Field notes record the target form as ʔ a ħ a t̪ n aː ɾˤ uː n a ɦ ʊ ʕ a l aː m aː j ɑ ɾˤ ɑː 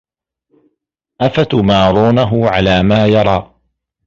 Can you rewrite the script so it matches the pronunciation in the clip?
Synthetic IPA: ʔ a f a t̪ m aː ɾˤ uː n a ɦ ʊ ʕ a l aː m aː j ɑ ɾˤ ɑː